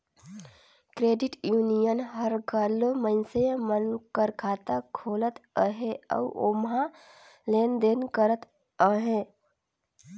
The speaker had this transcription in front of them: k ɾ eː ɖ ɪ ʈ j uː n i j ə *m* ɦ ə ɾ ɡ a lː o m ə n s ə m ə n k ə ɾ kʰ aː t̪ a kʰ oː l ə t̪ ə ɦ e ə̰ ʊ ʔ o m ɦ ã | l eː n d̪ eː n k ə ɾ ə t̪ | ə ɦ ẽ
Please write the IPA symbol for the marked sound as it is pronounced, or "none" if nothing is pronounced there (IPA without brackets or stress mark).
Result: n